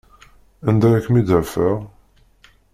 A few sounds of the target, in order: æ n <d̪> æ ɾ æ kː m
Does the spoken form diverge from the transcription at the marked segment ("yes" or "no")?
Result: no